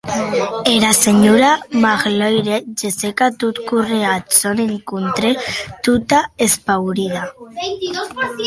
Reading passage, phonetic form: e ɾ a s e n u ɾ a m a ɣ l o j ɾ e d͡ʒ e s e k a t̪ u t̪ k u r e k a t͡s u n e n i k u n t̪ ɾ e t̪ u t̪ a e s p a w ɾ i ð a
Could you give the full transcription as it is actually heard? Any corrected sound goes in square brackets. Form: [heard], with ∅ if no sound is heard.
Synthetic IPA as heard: e ɾ a s e [ɲ] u ɾ a m a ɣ l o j ɾ e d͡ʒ e s e k a t̪ u t̪ k u r e [∅] a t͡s [o] n e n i k u n t̪ ɾ e t̪ u t̪ a e s p a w ɾ i ð a